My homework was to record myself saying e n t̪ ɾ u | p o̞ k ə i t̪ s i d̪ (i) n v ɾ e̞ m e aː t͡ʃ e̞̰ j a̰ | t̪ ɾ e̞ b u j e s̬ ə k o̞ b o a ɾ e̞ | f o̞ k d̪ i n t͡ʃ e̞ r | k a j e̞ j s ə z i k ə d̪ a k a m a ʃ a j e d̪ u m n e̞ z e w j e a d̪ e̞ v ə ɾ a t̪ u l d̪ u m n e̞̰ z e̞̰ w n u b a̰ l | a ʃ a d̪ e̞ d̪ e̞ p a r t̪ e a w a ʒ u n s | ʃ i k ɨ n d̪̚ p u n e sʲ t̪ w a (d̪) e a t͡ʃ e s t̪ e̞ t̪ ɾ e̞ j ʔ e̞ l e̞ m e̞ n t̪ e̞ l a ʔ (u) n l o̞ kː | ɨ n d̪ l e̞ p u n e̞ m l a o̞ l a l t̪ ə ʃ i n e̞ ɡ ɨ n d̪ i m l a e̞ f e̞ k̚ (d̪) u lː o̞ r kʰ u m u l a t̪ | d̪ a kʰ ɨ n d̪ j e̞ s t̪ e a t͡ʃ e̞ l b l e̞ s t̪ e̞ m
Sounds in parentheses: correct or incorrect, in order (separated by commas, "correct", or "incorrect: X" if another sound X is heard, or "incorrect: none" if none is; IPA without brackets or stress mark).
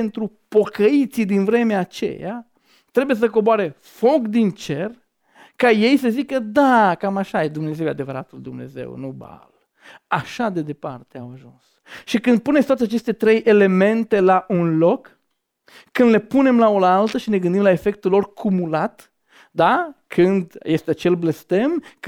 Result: correct, incorrect: t̪, correct, incorrect: t̪